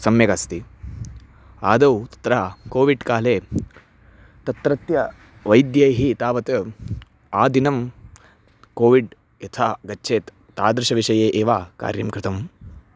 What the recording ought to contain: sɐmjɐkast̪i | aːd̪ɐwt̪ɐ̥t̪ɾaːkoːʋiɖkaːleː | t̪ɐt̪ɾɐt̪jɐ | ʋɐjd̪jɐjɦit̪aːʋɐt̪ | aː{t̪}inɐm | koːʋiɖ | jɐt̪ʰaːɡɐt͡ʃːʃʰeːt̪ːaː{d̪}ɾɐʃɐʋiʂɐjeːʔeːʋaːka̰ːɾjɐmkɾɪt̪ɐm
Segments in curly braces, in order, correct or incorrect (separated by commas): incorrect, correct